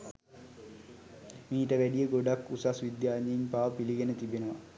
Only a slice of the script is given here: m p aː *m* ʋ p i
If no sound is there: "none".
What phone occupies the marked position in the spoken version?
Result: none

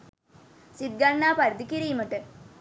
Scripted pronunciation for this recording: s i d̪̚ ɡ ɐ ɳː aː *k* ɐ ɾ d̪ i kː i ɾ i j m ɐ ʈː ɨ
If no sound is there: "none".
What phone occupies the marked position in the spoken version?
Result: p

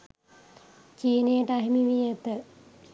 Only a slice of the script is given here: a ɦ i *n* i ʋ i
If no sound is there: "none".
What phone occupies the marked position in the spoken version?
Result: m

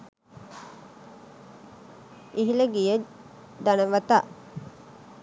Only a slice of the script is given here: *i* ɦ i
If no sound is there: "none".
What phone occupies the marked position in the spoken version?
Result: i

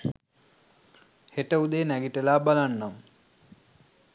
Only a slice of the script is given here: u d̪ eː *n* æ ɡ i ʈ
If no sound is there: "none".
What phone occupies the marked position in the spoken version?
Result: n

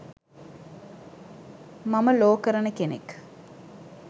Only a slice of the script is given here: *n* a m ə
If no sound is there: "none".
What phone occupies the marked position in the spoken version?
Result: m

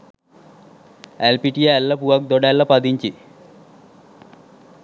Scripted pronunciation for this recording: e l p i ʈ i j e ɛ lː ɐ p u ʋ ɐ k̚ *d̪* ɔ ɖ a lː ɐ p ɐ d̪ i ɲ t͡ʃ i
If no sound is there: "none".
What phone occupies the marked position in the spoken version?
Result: d̪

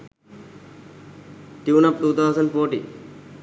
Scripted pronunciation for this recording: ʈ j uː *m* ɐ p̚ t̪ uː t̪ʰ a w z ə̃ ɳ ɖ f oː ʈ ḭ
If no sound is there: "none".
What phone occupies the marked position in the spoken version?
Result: n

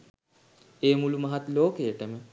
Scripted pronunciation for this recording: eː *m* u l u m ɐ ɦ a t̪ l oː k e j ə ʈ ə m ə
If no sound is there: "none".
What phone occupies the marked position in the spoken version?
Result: m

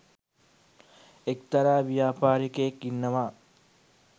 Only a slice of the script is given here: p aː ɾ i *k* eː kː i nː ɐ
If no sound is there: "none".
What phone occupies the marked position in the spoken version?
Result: k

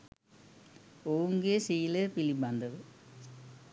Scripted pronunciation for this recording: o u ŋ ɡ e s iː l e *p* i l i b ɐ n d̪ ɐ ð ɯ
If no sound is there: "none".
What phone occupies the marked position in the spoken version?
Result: p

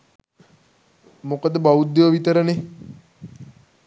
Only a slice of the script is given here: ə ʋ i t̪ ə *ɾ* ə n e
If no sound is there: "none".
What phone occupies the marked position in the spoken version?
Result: ɾ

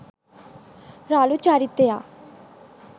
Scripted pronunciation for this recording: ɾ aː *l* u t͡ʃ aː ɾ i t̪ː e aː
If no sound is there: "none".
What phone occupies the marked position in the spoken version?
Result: l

